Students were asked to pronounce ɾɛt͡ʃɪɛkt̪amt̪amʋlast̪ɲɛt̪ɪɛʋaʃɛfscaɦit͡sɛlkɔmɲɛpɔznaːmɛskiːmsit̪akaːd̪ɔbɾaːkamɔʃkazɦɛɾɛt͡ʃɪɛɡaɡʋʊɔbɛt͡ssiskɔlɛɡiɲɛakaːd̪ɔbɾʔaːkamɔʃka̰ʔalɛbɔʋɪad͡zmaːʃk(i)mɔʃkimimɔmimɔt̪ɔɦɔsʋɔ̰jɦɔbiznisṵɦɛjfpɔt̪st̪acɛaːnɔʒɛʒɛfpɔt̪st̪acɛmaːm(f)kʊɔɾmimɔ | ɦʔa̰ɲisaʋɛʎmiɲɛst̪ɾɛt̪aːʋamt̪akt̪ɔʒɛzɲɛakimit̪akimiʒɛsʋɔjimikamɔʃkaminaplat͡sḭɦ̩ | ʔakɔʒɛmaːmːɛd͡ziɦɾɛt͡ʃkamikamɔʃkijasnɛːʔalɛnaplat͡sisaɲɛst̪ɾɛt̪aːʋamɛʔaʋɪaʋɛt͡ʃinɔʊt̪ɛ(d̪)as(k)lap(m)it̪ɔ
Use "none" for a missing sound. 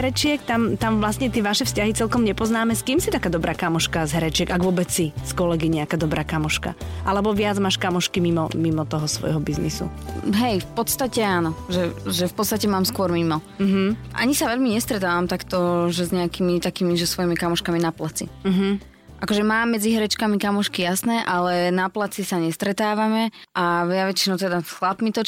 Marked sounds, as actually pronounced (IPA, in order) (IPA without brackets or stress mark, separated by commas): a, s, d̪, x, m